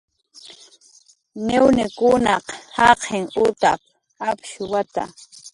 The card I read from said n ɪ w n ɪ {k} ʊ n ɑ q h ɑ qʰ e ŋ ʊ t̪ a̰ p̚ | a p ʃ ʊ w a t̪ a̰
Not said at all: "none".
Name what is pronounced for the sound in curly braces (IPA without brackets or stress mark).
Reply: k